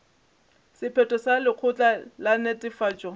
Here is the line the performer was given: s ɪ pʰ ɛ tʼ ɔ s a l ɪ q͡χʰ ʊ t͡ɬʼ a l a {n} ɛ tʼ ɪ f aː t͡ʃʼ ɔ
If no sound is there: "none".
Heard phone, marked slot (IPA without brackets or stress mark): n